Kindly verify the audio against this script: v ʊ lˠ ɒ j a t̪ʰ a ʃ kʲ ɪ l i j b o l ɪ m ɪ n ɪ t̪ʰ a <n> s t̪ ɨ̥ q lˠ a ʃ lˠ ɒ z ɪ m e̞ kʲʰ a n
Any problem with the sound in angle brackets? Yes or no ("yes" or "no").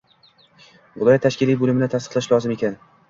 yes